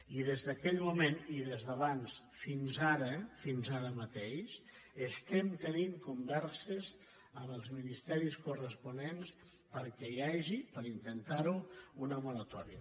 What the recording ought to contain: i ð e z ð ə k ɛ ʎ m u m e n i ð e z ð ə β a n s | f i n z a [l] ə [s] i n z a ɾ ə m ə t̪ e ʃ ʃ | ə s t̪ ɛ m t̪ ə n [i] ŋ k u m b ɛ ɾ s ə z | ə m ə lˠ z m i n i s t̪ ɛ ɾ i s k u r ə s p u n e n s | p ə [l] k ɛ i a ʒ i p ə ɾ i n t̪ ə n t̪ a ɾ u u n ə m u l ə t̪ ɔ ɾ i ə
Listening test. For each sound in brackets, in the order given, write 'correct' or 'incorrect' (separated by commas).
incorrect, incorrect, correct, incorrect